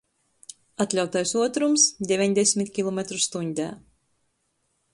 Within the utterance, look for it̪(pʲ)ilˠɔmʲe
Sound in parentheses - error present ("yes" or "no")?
yes